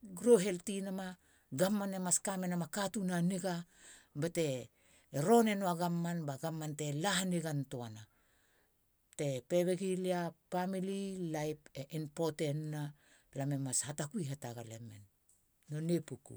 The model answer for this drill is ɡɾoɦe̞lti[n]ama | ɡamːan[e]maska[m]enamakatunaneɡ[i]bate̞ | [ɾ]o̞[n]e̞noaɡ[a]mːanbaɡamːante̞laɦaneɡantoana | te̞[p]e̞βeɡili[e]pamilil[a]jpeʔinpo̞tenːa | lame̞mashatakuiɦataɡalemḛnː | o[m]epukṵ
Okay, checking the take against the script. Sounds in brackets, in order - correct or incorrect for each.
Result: correct, correct, correct, incorrect: a, correct, correct, correct, correct, incorrect: a, correct, incorrect: n

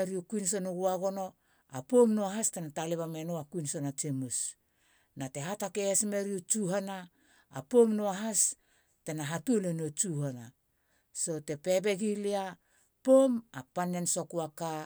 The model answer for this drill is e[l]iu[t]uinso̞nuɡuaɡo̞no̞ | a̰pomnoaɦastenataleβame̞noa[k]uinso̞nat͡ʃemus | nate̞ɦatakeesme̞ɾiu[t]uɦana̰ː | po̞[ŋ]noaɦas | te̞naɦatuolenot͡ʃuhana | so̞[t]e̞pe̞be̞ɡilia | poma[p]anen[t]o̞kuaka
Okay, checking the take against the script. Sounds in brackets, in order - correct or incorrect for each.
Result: incorrect: ɾ, incorrect: k, correct, incorrect: t͡ʃ, incorrect: m, correct, correct, incorrect: s

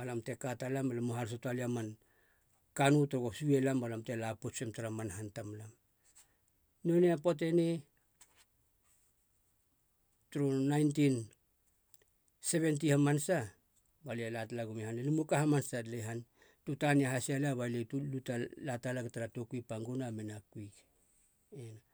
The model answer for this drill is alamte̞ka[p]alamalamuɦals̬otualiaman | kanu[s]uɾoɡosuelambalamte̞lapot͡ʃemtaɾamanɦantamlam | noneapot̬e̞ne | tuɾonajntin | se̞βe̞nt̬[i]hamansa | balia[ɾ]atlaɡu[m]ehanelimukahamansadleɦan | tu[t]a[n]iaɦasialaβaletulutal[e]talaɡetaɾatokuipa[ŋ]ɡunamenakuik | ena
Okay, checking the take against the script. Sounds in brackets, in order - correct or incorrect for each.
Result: incorrect: t, incorrect: t, correct, incorrect: l, correct, correct, correct, incorrect: a, correct

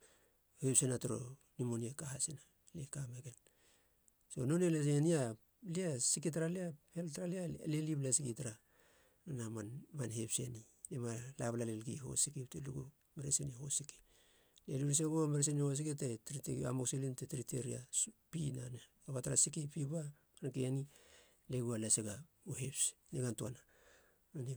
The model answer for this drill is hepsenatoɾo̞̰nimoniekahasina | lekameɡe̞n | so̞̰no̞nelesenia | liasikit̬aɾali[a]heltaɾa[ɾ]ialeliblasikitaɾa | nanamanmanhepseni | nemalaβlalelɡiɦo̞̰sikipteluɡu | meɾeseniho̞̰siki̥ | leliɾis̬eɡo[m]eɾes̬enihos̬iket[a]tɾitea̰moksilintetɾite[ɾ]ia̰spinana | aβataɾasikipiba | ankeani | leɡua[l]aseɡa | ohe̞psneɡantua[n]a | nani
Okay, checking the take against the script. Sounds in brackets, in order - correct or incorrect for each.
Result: correct, incorrect: l, correct, incorrect: e, correct, correct, correct

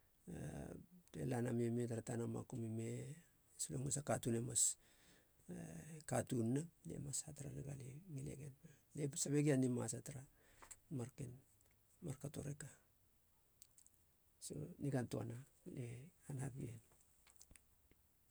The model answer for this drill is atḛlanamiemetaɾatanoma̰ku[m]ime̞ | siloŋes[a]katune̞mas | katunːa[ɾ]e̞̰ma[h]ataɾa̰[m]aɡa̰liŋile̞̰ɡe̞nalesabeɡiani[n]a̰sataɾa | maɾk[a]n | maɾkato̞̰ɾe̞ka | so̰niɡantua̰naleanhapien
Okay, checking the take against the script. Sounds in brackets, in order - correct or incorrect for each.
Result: correct, correct, incorrect: l, incorrect: s, incorrect: n, incorrect: m, incorrect: e

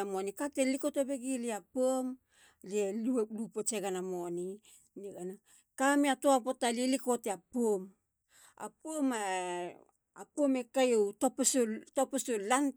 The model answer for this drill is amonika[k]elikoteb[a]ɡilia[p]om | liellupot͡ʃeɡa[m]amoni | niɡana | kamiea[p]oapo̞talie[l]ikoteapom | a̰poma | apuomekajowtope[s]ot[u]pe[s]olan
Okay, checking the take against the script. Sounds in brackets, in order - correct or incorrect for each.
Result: incorrect: t, incorrect: e, correct, incorrect: n, incorrect: t, correct, correct, incorrect: o, correct

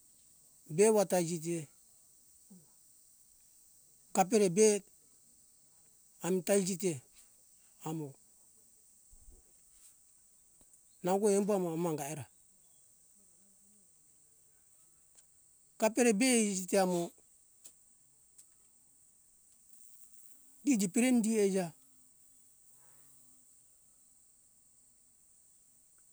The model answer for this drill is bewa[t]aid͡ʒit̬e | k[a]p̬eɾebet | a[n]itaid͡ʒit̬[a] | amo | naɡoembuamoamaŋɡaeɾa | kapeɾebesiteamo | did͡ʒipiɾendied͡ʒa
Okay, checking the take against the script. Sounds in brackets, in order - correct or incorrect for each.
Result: correct, correct, incorrect: m, incorrect: e

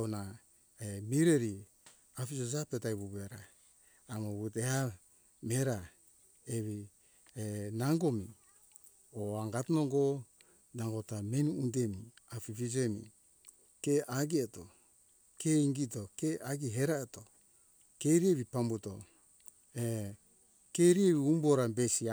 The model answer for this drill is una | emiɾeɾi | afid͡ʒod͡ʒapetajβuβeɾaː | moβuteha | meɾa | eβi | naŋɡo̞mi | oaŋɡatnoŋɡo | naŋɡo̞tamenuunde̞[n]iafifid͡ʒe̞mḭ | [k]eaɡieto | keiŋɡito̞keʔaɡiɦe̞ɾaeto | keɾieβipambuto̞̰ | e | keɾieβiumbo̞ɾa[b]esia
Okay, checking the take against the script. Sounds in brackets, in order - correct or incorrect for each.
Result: incorrect: m, correct, correct

